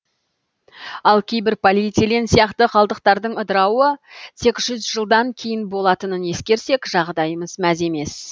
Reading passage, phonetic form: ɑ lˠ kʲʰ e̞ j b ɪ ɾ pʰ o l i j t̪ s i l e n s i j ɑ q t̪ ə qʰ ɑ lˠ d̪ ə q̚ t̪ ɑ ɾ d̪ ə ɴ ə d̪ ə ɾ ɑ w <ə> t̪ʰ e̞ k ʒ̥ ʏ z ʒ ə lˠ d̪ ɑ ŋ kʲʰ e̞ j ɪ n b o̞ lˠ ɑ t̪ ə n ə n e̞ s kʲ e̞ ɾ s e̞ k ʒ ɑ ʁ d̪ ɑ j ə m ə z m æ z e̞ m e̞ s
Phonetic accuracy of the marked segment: correct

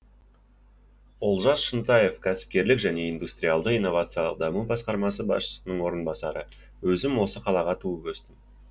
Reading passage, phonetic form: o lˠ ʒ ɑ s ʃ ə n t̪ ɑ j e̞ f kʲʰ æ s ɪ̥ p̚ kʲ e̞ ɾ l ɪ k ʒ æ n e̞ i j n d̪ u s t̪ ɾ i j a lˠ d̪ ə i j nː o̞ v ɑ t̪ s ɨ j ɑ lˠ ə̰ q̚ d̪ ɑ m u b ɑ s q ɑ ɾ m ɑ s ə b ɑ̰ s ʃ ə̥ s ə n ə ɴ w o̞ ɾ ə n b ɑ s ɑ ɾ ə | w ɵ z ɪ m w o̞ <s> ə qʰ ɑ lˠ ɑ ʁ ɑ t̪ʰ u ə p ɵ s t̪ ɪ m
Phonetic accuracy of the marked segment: correct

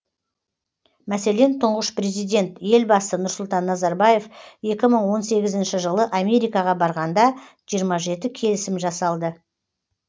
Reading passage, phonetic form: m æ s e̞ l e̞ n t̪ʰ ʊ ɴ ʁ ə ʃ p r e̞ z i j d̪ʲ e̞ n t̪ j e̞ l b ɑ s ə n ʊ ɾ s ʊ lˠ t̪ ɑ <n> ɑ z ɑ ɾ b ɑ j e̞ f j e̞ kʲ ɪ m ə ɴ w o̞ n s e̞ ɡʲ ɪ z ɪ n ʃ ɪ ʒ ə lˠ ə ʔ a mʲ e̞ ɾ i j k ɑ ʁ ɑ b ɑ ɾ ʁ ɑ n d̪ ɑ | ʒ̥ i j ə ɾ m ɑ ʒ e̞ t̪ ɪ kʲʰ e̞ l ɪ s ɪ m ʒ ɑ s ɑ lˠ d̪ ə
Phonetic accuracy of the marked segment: incorrect: nː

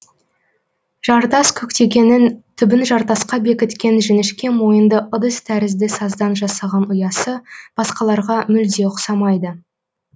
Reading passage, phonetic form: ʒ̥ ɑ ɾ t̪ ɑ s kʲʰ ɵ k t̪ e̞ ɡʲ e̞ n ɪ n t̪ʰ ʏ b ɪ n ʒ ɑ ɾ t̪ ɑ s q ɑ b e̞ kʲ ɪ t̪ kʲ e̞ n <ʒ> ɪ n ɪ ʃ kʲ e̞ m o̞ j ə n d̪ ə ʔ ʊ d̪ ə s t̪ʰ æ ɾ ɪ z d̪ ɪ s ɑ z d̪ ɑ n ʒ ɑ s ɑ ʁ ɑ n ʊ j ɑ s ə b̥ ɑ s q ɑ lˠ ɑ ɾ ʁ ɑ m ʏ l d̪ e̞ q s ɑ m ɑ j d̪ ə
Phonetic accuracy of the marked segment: correct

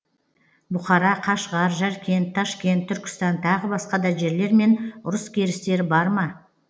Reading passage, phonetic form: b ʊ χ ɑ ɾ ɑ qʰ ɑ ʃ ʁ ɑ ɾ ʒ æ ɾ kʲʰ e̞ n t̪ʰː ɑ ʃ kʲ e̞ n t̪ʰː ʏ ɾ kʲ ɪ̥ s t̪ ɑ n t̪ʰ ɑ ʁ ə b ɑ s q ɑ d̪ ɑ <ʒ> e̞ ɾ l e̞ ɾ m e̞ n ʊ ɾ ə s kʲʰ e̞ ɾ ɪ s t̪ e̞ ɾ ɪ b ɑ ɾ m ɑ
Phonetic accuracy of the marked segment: correct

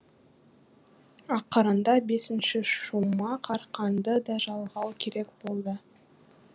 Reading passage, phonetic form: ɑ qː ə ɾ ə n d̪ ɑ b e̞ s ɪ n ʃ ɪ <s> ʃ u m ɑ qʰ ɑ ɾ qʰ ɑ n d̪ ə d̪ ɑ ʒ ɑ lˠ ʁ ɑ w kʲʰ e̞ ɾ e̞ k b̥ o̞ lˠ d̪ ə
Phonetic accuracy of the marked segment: incorrect: none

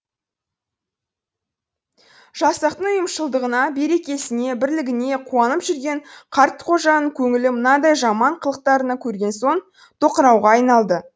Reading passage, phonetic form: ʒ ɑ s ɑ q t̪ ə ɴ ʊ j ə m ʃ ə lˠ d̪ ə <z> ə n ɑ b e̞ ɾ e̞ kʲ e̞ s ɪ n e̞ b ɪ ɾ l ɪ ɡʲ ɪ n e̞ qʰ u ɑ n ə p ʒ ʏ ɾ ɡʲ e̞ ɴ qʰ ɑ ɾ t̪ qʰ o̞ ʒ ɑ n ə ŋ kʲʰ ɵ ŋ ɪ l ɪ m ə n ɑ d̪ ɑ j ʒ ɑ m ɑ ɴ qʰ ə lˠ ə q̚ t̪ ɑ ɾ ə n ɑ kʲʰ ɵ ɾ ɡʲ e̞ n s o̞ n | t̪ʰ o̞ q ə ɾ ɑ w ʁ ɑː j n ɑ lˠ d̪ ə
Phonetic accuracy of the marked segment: incorrect: ʁ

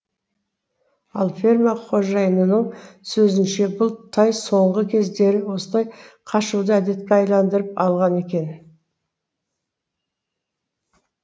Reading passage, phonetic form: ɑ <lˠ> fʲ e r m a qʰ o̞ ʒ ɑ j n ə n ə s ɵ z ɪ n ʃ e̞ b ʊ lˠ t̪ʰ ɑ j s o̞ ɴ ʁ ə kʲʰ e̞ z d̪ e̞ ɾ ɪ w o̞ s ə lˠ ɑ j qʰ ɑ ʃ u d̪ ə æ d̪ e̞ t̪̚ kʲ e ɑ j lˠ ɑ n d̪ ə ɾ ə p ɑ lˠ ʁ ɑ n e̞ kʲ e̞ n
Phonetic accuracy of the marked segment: correct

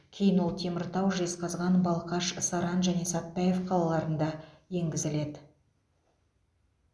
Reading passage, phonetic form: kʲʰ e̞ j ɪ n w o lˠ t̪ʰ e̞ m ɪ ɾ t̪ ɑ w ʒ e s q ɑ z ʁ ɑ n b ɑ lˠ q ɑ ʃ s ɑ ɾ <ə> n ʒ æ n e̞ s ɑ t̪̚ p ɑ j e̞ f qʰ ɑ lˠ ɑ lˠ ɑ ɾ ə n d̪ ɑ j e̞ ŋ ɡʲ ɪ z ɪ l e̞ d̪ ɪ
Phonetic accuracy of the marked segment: incorrect: ɑ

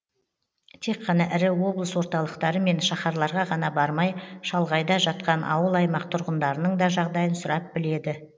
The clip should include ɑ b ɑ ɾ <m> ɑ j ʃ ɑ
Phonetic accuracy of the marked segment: correct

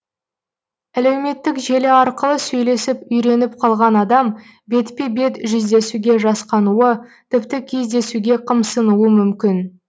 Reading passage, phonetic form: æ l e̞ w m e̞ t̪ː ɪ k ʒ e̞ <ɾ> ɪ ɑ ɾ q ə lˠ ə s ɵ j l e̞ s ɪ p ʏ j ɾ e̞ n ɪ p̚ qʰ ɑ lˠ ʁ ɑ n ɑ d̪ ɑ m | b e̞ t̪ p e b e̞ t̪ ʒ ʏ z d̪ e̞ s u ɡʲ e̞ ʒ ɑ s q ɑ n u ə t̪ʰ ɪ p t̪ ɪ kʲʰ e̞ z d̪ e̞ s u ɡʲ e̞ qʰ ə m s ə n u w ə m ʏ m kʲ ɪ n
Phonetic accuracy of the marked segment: incorrect: l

